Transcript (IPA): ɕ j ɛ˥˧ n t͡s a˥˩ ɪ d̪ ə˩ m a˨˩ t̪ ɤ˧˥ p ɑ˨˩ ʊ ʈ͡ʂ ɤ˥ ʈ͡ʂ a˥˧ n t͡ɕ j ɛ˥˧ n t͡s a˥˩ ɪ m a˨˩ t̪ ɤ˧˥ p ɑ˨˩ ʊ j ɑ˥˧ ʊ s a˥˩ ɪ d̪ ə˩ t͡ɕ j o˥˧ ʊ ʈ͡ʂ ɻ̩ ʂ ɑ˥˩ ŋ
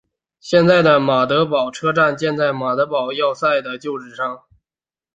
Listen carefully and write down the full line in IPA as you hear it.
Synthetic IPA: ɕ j ɛ˥˧ n t͡s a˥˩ ɪ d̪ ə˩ m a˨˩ t̪ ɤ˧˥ p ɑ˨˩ ʊ ʈ͡ʂʰ ɤ˥ ʈ͡ʂ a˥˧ n t͡ɕ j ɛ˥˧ n t͡s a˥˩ ɪ m a˨˩ t̪ ɤ˧˥ p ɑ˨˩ ʊ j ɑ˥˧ ʊ s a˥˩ ɪ d̪ ə˩ t͡ɕ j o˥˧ ʊ ʈ͡ʂ ɻ̩ ʂ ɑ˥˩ ŋ